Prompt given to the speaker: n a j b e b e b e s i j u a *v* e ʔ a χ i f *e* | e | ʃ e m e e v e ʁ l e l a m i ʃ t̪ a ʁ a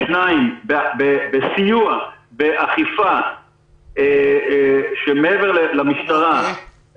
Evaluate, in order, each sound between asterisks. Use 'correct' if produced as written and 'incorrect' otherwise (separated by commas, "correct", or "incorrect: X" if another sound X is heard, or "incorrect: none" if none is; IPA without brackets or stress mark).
incorrect: b, incorrect: a